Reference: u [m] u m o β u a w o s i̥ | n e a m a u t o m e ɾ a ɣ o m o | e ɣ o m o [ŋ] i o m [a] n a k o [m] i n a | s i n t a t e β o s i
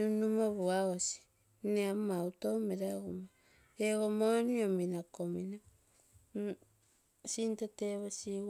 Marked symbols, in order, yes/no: no, no, no, yes

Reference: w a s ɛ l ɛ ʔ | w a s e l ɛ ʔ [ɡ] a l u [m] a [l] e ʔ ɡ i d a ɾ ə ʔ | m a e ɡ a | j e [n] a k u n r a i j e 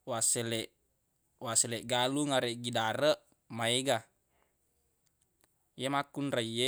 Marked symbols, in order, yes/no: yes, no, no, no

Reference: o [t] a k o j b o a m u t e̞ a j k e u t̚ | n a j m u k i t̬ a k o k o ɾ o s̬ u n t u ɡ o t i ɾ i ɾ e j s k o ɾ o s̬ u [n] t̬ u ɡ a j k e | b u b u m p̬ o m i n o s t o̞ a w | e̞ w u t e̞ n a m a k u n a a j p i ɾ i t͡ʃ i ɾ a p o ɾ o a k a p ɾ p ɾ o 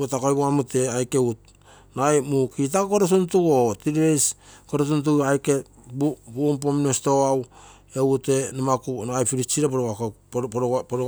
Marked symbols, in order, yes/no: yes, yes

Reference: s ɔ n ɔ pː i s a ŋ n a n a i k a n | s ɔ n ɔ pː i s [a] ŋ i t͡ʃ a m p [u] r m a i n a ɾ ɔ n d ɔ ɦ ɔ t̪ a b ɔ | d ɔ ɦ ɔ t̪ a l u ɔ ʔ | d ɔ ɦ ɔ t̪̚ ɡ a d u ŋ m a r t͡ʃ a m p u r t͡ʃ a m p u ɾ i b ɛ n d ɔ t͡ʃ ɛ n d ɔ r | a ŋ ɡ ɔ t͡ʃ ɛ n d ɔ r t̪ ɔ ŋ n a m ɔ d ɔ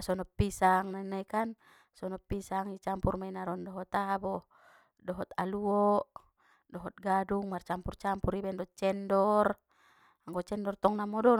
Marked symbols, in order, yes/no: yes, yes

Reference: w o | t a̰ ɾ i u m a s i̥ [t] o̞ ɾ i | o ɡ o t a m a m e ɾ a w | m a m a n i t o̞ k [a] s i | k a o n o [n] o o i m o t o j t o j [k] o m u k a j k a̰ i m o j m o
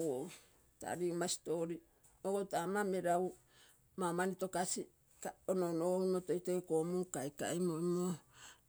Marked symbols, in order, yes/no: yes, yes, yes, yes

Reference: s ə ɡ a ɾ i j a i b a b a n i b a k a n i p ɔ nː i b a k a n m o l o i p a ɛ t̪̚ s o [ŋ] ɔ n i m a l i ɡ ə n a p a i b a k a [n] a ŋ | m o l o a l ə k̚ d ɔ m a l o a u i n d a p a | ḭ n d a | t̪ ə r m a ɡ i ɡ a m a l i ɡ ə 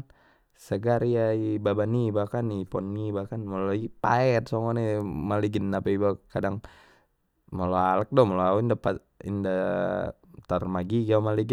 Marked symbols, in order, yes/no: yes, no

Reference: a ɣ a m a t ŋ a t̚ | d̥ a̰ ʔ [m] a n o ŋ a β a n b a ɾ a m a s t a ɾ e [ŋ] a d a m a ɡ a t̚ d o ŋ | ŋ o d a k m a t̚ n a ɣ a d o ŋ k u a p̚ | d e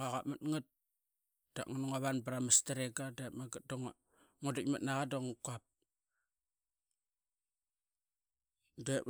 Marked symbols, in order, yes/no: no, no

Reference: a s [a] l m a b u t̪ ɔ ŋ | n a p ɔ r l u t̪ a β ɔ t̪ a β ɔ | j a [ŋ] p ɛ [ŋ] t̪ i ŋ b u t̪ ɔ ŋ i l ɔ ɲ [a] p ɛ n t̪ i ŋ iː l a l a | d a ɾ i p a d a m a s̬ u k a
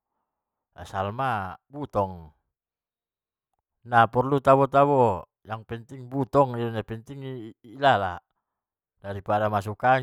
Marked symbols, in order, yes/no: yes, yes, no, yes

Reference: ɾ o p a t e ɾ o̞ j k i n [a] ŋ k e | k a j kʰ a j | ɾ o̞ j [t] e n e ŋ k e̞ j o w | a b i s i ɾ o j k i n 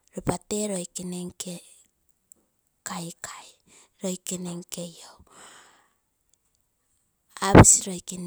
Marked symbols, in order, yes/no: no, no

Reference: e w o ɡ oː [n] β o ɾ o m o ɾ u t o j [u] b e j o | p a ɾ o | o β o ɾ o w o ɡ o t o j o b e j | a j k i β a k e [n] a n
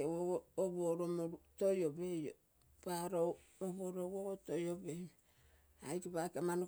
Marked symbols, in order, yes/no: no, no, no

